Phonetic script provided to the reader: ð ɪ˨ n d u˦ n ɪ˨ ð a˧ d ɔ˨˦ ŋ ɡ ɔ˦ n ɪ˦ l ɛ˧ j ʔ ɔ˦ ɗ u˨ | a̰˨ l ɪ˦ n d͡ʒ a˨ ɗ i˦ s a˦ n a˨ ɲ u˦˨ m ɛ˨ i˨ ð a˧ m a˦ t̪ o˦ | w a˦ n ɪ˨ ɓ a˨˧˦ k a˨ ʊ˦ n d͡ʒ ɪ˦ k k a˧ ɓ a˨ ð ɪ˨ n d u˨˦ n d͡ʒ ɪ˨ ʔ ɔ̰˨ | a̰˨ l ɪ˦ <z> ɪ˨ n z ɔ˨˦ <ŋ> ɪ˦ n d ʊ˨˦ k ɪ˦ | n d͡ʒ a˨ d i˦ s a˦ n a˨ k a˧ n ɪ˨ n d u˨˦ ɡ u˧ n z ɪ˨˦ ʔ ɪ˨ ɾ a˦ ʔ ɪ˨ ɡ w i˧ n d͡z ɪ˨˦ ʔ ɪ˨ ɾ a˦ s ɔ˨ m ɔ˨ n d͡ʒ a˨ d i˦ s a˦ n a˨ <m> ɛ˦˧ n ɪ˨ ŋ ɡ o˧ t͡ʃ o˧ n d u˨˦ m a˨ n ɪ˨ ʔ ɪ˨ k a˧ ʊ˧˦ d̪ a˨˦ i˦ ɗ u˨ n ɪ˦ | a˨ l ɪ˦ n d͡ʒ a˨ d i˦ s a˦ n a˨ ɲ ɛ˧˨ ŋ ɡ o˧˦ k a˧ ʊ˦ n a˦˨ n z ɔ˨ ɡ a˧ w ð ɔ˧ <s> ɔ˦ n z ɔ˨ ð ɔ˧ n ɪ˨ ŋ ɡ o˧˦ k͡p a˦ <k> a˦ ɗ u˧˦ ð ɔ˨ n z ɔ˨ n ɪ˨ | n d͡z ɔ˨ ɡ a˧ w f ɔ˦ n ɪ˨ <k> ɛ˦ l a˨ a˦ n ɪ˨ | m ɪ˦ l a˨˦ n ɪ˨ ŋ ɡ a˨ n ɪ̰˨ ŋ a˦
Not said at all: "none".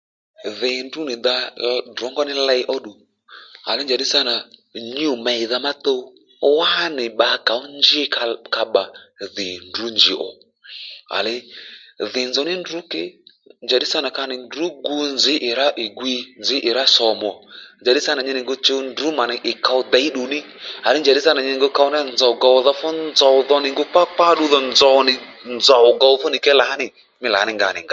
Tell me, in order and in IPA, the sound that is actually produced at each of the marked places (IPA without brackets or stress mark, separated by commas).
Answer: ð, n, ɲ, f, k͡p, k